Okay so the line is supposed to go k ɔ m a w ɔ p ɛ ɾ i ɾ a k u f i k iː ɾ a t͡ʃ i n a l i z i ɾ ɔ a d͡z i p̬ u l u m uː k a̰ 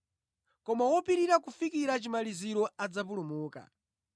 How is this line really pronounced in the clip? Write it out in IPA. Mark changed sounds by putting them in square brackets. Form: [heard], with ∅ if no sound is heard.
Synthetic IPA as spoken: k ɔ m a w ɔ p [i] ɾ i ɾ a k u f i k [i] ɾ a t͡ʃ i [m] a l i z i ɾ ɔ a d͡z [a] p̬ u l u m uː k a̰